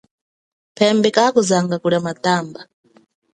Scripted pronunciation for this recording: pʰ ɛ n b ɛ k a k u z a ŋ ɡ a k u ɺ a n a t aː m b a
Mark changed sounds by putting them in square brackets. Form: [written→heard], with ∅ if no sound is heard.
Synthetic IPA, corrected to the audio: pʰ ɛ [n→m] b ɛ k a k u z a ŋ ɡ a k u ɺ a [n→m] a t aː m b a